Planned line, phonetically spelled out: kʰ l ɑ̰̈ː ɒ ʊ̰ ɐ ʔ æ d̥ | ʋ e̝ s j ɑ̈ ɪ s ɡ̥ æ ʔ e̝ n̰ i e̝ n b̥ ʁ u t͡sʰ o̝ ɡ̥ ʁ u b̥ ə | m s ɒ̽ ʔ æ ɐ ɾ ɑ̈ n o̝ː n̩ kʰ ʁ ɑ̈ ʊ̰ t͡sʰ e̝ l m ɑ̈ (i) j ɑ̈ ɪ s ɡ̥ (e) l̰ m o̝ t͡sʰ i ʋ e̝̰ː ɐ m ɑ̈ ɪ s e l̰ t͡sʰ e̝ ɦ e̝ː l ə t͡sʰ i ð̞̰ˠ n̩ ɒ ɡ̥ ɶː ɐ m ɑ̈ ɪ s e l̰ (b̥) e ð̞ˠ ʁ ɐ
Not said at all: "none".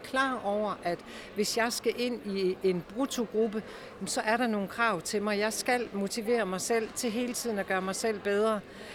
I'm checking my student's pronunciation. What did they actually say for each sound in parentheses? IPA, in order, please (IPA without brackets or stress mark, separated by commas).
ɪ, æ, b̥